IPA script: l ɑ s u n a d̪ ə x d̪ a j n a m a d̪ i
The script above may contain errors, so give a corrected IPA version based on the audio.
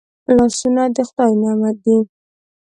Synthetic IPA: l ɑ s u n a d̪ ə x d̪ ɑ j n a m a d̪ i